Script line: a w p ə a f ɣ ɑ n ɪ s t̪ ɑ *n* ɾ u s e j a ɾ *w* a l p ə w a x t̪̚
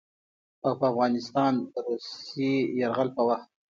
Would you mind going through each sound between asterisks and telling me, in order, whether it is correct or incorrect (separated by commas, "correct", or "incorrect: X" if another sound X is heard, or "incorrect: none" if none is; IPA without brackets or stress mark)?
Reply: correct, incorrect: ɣ